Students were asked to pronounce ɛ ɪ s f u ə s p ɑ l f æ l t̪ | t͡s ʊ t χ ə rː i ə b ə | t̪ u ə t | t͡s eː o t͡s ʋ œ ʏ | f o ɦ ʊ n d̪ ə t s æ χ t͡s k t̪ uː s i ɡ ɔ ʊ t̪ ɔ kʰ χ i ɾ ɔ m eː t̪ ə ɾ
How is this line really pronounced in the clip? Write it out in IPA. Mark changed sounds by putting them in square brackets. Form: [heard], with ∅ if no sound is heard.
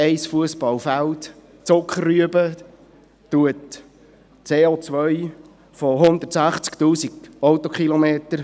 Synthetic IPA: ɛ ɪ s f u ə s p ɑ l f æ l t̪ | t͡s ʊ [k] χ ə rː [y] ə b ə | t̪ u ə t | t͡s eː o t͡s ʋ œ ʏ | f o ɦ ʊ n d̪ ə t s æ χ t͡s k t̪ uː s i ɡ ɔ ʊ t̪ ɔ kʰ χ i [l] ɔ m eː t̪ ə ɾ